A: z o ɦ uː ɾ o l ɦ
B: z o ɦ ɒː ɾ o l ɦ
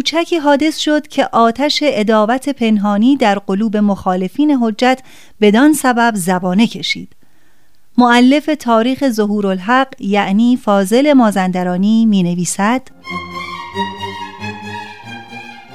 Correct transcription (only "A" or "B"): A